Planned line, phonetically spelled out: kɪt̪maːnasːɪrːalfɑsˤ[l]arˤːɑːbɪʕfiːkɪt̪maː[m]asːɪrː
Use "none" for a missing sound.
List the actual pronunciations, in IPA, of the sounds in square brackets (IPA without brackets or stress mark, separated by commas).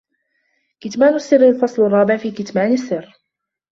l, n